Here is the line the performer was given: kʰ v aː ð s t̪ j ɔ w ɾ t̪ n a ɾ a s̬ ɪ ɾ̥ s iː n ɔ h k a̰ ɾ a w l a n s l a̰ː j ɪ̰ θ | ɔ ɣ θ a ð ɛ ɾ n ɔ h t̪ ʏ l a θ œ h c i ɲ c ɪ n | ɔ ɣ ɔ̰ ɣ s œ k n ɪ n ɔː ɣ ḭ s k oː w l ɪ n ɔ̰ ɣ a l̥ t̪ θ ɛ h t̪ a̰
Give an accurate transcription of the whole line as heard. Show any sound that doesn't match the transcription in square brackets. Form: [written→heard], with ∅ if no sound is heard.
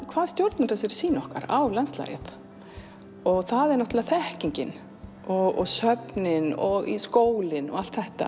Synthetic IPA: kʰ v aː ð s t̪ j [ɔ→o] w ɾ t̪ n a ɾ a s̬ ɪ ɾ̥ s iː n ɔ h k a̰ ɾ a w l a n s l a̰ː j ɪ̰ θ | ɔ ɣ θ a ð ɛ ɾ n ɔ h t̪ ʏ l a θ [œ→ɛ] h c i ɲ c ɪ n | ɔ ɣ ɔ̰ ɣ s œ [k→p] n ɪ n [ɔː→ɔ] ɣ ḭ s k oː w l ɪ n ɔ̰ ɣ a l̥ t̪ θ ɛ h t̪ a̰

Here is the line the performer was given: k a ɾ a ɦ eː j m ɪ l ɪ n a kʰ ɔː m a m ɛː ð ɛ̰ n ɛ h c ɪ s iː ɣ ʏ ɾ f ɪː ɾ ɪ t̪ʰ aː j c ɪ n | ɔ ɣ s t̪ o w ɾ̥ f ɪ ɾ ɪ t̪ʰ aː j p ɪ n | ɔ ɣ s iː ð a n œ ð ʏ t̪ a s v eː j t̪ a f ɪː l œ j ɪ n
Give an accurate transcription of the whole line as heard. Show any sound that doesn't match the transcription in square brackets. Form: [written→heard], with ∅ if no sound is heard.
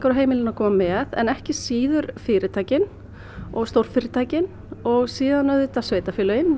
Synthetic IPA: k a ɾ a ɦ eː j m ɪ l ɪ n a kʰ ɔː m a m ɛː ð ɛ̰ n ɛ h c ɪ s iː [ɣ→ð] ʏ ɾ f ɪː ɾ ɪ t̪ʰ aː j c ɪ n | ɔ ɣ s t̪ o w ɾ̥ f ɪ ɾ ɪ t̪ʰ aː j [p→c] ɪ n | ɔ ɣ s iː ð a n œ ð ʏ t̪ a s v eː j t̪ a f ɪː l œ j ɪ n

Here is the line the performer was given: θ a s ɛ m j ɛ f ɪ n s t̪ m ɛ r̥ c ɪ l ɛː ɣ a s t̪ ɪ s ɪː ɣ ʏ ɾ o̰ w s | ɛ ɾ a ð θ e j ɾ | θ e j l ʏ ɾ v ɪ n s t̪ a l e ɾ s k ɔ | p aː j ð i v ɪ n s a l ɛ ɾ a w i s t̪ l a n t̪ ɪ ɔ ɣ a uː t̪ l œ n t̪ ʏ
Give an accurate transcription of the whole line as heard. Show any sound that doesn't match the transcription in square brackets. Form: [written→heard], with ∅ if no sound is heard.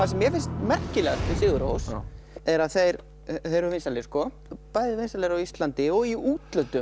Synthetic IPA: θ a s ɛ m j ɛ f ɪ n s t̪ m ɛ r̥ c ɪ l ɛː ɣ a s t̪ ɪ s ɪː ɣ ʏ ɾ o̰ w s | ɛ ɾ a ð θ e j ɾ | θ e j [l→ɾ] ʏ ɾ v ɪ n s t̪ a l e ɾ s k ɔ | p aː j ð [i→ɪ] v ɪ n s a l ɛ ɾ a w i s t̪ l a n t̪ ɪ ɔ ɣ [a→i] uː t̪ l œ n t̪ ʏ

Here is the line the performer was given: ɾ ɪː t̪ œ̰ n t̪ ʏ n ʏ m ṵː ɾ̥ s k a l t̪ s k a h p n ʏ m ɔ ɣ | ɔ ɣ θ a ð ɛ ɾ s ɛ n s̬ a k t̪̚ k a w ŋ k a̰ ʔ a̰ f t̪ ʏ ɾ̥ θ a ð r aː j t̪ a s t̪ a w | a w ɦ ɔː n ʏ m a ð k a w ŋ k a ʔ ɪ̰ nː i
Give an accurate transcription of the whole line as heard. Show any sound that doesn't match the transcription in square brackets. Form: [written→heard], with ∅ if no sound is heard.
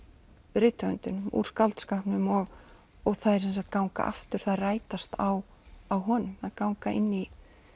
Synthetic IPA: ɾ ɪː t̪ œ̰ n t̪ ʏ n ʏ m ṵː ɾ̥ s k a l t̪ s k a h p n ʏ m ɔ ɣ | ɔ ɣ θ a ð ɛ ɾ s ɛ n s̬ a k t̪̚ k a w ŋ k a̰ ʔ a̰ f t̪ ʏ ɾ̥ θ a ð r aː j t̪ a s t̪ a w | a w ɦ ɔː n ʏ m a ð k a w ŋ k a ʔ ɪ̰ nː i

